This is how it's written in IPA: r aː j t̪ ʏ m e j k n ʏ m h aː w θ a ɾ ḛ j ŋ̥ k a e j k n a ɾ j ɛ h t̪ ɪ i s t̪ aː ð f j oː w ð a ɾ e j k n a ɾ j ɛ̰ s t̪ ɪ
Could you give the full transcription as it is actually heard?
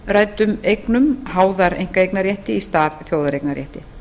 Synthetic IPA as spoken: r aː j t̪ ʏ m e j k n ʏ m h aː w ð a ɾ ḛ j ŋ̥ k a e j k n a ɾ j ɛ h t̪ ɪ i s t̪ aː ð θ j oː w ð a ɾ e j k n a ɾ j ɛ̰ h t̪ ɪ